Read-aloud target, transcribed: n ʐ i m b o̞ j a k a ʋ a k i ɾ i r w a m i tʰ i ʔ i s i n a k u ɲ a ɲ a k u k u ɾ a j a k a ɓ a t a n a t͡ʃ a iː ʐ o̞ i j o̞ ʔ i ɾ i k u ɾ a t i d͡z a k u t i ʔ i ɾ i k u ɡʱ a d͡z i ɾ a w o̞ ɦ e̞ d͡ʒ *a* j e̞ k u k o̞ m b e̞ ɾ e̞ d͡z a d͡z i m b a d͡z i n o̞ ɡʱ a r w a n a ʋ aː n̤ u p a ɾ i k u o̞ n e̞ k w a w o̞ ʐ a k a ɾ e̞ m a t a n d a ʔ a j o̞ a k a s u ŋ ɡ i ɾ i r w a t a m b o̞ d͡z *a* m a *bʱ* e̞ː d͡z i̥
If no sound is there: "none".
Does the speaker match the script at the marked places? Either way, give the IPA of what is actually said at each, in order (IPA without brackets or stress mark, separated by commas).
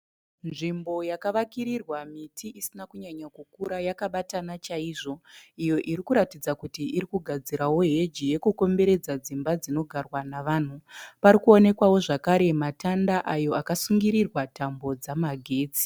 i, a, ɡʱ